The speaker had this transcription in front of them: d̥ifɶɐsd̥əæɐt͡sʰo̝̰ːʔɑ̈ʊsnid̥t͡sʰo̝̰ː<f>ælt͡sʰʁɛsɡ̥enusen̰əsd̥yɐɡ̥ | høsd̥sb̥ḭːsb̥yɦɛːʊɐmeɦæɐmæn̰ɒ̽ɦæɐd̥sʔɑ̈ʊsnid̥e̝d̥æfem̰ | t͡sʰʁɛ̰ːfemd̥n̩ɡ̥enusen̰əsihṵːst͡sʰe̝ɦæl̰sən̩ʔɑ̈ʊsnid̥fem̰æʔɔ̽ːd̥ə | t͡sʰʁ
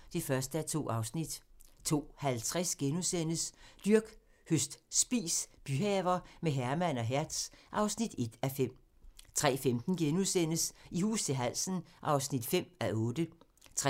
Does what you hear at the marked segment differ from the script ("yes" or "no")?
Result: yes